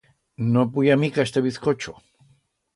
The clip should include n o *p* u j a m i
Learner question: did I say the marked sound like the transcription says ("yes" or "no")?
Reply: yes